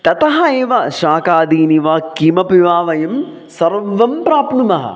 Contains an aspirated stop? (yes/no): no